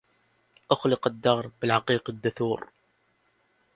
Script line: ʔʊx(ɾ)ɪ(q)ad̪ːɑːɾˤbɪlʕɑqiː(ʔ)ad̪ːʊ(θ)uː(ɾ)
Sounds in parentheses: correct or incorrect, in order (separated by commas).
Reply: incorrect, correct, incorrect, correct, correct